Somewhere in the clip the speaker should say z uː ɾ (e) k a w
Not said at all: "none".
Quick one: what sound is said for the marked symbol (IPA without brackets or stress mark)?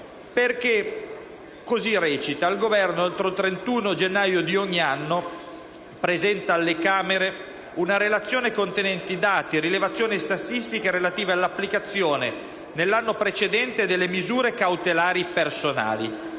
e